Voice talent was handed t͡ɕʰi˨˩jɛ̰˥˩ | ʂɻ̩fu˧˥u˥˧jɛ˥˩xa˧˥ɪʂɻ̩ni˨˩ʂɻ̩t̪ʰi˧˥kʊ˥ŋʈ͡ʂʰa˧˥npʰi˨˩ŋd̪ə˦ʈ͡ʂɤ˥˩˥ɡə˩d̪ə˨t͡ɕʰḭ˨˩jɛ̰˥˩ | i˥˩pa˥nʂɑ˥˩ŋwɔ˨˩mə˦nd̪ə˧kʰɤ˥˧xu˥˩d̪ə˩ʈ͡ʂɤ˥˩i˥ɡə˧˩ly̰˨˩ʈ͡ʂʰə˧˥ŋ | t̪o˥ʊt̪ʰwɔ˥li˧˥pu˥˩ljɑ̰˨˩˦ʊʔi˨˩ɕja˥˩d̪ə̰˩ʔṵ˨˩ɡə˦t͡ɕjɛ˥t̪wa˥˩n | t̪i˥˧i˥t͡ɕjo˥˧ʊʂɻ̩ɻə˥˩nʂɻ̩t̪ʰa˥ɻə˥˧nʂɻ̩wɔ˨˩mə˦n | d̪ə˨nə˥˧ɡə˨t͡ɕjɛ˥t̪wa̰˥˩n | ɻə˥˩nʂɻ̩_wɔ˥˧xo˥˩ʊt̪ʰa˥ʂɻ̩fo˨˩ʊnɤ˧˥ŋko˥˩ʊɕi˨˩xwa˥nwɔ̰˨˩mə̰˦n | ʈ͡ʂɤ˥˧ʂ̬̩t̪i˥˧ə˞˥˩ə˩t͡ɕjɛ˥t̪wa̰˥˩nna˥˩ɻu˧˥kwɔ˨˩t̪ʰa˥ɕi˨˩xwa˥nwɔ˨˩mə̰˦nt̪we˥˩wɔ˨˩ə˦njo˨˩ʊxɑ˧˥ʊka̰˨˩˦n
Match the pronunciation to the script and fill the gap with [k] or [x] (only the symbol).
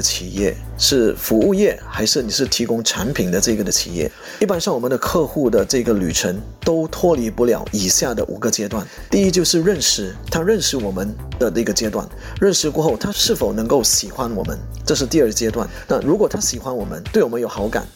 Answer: k